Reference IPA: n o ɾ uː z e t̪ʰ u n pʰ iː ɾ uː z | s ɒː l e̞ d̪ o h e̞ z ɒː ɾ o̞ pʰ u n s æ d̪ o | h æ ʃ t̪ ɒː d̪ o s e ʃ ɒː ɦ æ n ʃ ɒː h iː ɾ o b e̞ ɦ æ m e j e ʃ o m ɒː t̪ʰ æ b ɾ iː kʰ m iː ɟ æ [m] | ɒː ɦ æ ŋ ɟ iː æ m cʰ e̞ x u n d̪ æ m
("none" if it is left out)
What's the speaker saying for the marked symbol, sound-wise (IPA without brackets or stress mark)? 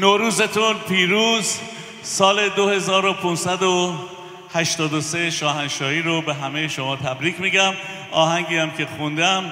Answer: m